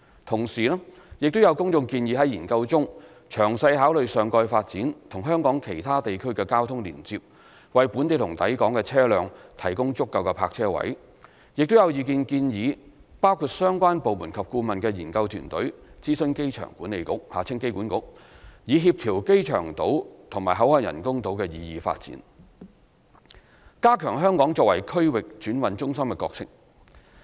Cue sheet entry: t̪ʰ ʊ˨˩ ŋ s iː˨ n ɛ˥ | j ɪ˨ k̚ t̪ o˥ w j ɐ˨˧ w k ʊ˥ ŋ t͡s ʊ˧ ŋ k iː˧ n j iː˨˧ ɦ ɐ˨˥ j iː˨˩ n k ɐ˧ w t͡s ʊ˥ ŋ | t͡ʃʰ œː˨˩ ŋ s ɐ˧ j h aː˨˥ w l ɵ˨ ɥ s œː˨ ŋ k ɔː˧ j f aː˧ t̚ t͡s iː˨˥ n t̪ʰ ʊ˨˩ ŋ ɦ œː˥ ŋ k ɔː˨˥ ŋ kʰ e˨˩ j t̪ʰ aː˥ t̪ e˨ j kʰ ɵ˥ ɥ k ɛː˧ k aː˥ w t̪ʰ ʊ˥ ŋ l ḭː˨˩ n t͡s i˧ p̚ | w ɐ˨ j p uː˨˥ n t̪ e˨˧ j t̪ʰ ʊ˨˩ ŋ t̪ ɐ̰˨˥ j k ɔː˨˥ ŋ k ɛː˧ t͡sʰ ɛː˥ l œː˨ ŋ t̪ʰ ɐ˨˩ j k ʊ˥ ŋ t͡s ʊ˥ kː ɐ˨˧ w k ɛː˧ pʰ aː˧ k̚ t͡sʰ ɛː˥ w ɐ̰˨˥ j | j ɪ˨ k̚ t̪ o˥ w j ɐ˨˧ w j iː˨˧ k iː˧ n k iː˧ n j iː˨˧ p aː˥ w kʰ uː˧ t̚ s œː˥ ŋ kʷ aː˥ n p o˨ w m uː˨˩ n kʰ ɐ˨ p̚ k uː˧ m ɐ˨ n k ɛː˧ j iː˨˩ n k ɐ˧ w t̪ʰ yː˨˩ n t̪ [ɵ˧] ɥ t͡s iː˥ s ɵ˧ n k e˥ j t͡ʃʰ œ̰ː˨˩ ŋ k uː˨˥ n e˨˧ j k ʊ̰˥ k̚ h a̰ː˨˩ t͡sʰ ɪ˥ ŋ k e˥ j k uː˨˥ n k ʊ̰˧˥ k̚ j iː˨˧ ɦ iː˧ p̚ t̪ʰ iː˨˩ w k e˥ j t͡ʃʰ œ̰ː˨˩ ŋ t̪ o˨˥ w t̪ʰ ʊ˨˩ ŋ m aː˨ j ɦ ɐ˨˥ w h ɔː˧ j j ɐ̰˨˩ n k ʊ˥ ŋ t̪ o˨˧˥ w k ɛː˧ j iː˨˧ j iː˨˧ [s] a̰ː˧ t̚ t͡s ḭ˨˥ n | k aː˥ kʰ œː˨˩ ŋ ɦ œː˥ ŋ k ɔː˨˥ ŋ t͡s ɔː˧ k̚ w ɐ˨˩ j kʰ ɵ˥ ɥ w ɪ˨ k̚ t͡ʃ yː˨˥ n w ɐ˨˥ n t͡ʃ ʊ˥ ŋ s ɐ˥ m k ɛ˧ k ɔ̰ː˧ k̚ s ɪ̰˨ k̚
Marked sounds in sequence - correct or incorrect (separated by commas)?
incorrect, incorrect